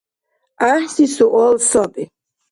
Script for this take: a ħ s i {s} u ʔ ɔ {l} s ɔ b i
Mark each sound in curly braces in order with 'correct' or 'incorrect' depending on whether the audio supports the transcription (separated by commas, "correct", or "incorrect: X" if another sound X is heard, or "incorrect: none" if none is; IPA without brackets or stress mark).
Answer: correct, correct